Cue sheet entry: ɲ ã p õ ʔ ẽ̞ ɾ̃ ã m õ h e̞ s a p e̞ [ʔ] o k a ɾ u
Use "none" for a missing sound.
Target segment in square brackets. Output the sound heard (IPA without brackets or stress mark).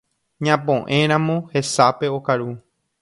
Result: none